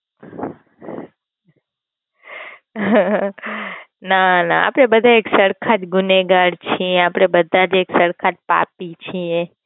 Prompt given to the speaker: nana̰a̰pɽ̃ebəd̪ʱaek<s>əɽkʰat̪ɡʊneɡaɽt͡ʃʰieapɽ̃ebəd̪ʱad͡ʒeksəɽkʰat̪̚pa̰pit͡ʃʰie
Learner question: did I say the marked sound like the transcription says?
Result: yes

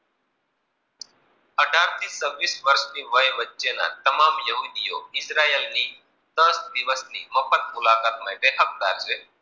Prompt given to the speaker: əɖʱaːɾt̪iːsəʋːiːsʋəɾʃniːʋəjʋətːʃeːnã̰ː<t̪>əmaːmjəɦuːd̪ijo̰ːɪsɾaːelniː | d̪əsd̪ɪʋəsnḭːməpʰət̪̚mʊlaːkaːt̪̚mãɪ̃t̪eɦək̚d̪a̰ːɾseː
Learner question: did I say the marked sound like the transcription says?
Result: yes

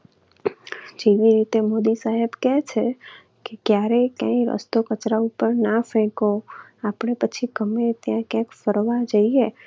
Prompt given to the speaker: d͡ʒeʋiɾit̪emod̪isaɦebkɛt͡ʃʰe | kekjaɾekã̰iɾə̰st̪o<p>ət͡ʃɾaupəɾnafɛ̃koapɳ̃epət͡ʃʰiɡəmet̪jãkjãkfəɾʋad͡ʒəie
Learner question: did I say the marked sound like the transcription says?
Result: no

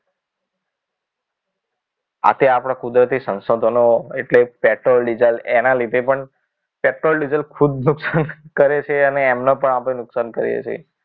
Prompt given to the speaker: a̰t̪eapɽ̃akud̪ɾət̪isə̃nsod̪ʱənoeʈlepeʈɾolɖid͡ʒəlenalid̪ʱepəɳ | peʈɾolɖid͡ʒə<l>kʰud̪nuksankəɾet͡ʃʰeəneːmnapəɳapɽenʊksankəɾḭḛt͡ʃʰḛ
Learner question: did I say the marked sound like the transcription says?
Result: yes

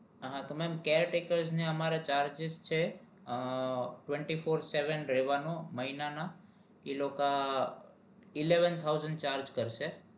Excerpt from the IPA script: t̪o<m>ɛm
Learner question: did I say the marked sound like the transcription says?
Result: yes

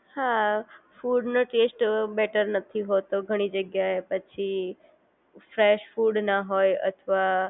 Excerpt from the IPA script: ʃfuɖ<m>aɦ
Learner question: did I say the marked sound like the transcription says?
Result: no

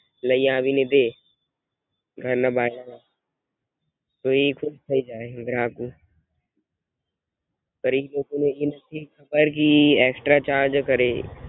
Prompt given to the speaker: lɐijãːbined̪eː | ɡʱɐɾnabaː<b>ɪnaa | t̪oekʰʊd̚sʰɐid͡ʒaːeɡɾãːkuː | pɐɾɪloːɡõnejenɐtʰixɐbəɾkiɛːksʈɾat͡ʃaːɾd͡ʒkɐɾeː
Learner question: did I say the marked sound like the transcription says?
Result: no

